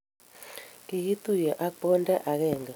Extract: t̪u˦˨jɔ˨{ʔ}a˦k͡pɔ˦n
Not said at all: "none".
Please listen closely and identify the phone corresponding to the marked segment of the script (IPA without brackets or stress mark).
ʔ